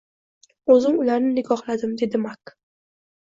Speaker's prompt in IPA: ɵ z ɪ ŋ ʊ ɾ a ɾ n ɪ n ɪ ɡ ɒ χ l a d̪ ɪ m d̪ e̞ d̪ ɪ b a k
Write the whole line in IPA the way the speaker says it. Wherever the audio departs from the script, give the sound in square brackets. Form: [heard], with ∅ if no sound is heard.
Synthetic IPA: ɵ z ɪ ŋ ʊ [l] a ɾ n ɪ n ɪ ɡ ɒ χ l a d̪ ɪ m d̪ e̞ d̪ ɪ [m] a k